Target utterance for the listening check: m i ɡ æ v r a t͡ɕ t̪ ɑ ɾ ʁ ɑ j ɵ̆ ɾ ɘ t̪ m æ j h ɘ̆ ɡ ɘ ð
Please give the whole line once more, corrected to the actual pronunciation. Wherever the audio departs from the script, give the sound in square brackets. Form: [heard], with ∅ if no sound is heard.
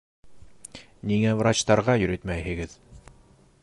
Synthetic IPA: [n] i [ŋ] æ v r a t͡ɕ t̪ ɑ ɾ ʁ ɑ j ɵ̆ ɾ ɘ t̪ m æ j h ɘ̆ ɡ ɘ ð